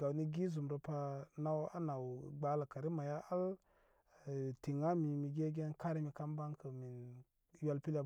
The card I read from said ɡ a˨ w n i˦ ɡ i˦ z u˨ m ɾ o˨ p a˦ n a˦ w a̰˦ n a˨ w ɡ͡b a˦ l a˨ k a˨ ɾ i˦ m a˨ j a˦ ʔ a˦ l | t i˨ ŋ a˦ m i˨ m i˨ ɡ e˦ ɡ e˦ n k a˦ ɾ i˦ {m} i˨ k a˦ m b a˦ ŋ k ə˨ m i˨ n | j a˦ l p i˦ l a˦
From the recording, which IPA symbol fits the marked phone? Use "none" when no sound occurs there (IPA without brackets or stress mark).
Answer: m